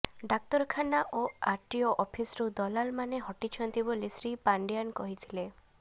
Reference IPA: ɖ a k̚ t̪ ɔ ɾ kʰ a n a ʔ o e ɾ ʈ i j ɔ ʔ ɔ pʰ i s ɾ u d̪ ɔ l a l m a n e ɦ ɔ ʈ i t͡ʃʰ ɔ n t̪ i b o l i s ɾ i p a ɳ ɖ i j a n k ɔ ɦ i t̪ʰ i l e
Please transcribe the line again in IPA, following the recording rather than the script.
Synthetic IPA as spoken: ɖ a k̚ t̪ ɔ ɾ kʰ a n a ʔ o a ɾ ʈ i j ɔ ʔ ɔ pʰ i s ɾ u d̪ ɔ l a l m a n e ɦ ɔ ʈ i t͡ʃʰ ɔ n t̪ i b o l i s ɾ i p a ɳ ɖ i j a n k ɔ ɦ i t̪ʰ i l e